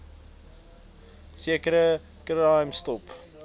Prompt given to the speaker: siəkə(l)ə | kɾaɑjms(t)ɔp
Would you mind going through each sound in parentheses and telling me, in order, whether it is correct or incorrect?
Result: incorrect: ɾ, correct

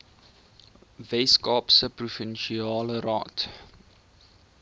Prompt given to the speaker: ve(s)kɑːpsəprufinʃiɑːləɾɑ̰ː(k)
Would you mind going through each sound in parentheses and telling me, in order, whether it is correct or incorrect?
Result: correct, incorrect: t

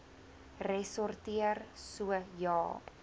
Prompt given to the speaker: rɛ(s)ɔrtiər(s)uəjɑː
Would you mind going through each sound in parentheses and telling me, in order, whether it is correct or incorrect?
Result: correct, correct

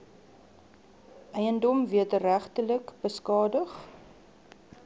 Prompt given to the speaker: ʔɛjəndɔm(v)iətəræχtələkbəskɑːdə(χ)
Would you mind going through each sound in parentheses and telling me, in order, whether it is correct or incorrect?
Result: correct, correct

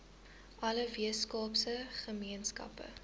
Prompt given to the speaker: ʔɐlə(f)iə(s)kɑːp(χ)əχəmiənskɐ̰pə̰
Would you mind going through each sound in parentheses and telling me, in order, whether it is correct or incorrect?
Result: incorrect: v, correct, incorrect: s

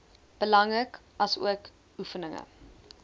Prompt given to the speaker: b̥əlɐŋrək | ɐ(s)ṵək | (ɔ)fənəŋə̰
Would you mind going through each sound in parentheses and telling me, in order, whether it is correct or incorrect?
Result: correct, incorrect: u

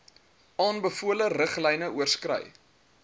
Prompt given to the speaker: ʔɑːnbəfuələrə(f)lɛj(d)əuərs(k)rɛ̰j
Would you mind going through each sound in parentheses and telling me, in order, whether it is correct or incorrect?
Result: incorrect: χ, incorrect: n, correct

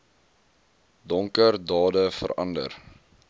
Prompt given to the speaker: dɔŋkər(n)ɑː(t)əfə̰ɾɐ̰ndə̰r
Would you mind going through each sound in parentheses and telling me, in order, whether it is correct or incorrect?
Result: incorrect: d, incorrect: d

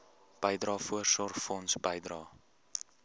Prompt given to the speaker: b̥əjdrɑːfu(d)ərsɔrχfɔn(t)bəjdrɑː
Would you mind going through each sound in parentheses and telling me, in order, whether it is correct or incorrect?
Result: incorrect: none, incorrect: s

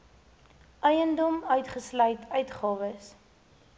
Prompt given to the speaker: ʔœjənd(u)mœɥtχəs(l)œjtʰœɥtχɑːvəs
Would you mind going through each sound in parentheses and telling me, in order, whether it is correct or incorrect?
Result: incorrect: ɔ, correct

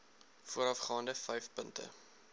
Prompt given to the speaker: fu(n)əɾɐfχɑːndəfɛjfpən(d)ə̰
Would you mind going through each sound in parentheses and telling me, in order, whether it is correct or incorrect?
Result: incorrect: none, incorrect: t

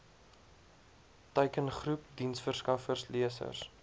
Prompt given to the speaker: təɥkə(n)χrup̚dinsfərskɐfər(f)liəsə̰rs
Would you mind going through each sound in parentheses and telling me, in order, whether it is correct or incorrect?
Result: correct, incorrect: s

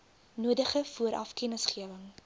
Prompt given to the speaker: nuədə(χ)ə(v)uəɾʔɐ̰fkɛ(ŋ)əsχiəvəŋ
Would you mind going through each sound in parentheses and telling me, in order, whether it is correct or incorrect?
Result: correct, incorrect: f, incorrect: n

